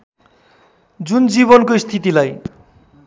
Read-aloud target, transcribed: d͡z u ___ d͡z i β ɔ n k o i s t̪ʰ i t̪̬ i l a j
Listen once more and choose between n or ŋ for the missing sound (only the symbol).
n